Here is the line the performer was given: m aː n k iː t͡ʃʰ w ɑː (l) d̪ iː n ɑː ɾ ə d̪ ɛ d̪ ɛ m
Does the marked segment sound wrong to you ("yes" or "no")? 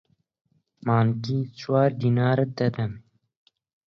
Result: yes